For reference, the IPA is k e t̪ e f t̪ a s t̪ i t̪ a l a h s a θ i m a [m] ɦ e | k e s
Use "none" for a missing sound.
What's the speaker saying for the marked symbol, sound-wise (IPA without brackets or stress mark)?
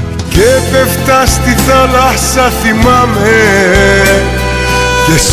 m